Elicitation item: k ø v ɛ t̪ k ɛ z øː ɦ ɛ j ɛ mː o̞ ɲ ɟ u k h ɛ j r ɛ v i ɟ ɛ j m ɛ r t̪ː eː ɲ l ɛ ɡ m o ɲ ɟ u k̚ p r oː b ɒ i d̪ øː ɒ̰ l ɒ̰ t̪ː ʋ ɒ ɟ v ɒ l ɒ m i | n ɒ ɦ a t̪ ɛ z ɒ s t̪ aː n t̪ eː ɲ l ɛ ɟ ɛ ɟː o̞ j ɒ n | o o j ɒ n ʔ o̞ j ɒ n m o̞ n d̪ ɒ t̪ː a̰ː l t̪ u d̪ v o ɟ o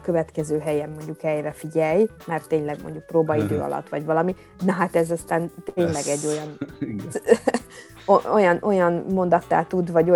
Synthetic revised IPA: k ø v ɛ t̪ k ɛ z øː ɦ ɛ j ɛ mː o̞ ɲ ɟ u k h ɛ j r ɛ f i ɟ ɛ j m ɛ r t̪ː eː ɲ l ɛ ɡ m o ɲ ɟ u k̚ p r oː b ɒ i d̪ øː ɒ̰ l ɒ̰ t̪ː ʋ ɒ ɟ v ɒ l ɒ m i | n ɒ ɦ a t̪ ɛ z ɒ s t̪ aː n t̪ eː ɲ l ɛ ɡ ɛ ɟː o̞ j ɒ n | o o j ɒ n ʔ o̞ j ɒ n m o̞ n d̪ ɒ t̪ː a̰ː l t̪ u d̪ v ɒ ɟ o